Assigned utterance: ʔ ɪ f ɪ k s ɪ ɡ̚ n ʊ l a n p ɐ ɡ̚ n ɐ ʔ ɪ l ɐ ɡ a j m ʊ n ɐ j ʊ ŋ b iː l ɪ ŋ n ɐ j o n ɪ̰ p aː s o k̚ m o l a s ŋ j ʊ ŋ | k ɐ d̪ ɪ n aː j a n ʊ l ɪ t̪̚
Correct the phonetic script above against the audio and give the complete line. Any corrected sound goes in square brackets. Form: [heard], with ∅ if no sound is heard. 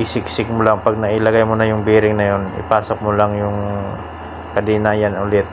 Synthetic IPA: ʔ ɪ [s] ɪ k s ɪ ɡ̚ [m] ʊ l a [ŋ] p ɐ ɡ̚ n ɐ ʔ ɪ l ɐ ɡ a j m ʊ n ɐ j ʊ ŋ b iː [ɾ] ɪ ŋ n ɐ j o n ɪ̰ p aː s o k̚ m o l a [∅] ŋ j ʊ ŋ | k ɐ d̪ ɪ n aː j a n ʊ l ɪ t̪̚